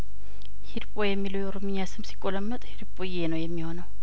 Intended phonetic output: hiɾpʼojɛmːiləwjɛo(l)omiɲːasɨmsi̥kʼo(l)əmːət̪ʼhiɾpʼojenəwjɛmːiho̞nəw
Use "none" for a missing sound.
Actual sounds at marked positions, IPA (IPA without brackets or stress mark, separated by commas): ɾ, l